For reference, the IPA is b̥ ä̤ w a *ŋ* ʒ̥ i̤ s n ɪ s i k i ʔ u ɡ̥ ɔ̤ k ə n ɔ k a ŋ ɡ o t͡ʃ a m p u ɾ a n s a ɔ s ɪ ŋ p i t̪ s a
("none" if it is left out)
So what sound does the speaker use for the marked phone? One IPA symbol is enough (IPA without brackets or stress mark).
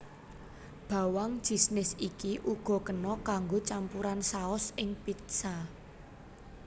ŋ